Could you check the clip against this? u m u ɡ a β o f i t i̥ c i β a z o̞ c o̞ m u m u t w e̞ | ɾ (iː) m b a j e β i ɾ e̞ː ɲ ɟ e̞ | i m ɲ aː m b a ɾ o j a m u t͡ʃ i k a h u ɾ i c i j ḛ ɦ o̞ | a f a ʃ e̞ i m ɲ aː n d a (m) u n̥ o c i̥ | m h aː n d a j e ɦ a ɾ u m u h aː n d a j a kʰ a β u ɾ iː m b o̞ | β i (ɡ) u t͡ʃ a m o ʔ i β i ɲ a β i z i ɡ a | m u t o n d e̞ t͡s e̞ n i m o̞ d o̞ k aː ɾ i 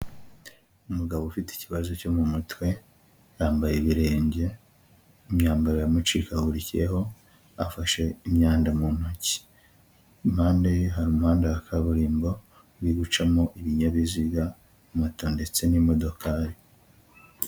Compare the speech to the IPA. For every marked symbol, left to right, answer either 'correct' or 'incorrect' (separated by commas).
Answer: incorrect, correct, correct